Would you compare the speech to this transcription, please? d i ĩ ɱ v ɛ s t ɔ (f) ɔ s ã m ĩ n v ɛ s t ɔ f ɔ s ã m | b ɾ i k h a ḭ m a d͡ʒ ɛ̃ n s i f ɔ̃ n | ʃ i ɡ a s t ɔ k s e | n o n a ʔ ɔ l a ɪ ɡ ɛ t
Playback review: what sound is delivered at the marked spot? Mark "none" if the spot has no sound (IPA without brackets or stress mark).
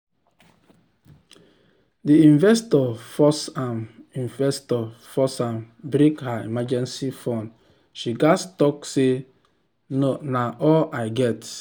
f